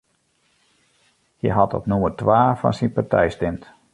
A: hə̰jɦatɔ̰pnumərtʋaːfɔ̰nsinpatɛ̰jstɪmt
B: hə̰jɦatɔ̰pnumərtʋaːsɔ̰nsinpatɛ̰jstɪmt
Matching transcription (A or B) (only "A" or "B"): A